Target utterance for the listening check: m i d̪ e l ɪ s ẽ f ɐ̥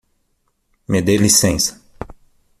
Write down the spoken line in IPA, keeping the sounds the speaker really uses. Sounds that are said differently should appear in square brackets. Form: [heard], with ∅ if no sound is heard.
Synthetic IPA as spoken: m [e] d̪ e l [i] s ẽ [s] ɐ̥